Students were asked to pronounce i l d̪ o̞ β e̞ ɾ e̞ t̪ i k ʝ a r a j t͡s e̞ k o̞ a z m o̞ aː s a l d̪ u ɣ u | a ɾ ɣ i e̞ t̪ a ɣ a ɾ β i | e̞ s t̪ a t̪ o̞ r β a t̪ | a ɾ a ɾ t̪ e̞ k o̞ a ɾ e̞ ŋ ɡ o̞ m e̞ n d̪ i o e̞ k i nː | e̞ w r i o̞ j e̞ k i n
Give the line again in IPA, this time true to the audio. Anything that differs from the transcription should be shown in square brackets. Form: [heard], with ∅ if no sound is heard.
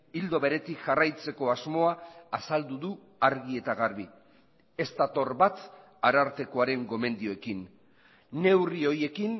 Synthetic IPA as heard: i l d̪ o̞ β e̞ ɾ e̞ t̪ i k ʝ a r a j t͡s e̞ k o̞ a z m o̞ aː s a l d̪ u [ð] u | a ɾ ɣ i e̞ t̪ a ɣ a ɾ β i | e̞ s t̪ a t̪ o̞ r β a t̪ | a ɾ a ɾ t̪ e̞ k o̞ a ɾ e̞ ŋ ɡ o̞ m e̞ n d̪ i o e̞ k i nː | e̞ w r i o̞ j e̞ k i n